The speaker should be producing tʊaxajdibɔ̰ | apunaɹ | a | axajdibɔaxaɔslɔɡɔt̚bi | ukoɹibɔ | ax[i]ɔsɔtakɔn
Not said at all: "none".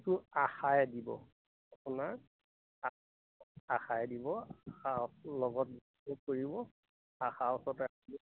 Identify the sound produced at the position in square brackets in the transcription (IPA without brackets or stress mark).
a